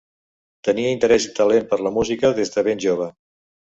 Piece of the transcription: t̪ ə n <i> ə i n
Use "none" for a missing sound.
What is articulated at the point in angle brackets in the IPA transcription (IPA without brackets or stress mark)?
i